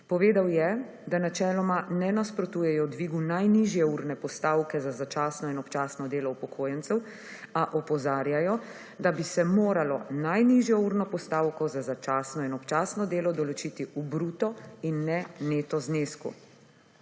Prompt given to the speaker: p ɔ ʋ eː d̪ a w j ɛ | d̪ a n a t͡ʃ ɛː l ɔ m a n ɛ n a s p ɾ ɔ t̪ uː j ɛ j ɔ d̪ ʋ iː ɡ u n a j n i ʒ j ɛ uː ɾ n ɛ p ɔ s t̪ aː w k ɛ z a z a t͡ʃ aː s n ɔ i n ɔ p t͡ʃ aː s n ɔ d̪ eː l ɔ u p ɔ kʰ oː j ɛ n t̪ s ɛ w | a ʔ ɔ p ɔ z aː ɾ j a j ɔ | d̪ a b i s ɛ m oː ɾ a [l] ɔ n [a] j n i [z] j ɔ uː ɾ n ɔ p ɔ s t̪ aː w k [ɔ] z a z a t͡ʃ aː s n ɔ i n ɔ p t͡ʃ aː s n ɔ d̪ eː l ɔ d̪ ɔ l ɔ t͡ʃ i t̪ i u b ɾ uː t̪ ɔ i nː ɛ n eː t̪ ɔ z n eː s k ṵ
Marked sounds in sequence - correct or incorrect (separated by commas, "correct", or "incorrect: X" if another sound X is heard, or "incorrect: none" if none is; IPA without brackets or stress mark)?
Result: correct, correct, incorrect: ʒ, correct